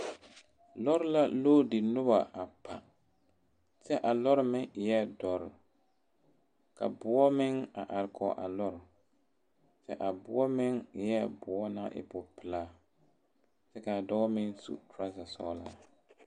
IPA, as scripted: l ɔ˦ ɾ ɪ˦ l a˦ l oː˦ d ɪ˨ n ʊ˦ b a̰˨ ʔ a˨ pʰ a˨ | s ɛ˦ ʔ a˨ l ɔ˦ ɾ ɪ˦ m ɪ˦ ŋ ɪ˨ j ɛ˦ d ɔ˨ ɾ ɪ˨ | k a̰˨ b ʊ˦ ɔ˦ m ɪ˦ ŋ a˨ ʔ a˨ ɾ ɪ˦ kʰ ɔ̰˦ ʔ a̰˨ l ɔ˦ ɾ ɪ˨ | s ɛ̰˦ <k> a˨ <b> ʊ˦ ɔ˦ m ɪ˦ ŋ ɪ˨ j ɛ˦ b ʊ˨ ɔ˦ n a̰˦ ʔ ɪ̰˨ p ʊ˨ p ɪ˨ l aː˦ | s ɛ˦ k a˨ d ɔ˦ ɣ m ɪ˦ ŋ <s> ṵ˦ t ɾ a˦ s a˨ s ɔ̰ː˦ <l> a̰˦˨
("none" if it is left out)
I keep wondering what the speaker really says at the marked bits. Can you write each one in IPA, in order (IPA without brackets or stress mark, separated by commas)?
ʔ, b, s, l